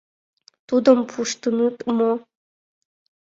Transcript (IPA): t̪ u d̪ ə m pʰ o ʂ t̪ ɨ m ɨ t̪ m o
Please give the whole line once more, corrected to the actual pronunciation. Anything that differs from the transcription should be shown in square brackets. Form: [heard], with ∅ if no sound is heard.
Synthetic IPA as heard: t̪ u d̪ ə m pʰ [u] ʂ t̪ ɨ [n] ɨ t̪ m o